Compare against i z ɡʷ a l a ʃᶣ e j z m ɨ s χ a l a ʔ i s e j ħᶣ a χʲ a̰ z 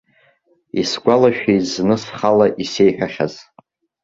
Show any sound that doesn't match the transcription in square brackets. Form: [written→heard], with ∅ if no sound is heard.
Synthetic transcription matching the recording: i [z→s] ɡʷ a l a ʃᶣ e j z [m→n] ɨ s χ a l a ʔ i s e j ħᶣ a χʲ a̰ z